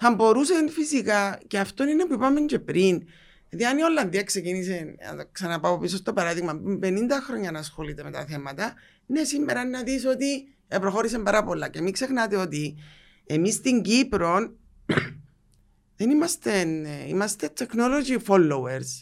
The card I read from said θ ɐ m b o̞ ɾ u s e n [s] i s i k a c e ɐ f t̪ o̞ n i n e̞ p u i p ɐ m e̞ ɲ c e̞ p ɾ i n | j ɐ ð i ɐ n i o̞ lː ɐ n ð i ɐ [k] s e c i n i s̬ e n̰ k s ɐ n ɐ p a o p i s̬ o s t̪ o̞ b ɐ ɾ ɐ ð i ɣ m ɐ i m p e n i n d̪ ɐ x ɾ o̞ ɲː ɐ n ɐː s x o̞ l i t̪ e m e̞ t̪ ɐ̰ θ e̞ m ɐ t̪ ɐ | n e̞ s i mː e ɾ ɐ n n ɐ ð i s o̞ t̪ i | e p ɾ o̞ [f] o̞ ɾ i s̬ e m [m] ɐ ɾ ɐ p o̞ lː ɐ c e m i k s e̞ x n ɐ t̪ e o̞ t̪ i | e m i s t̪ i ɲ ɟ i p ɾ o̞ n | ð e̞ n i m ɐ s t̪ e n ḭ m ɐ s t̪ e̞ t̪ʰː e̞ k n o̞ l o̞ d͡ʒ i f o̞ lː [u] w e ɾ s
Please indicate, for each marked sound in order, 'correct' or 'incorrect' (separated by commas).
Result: incorrect, correct, incorrect, incorrect, incorrect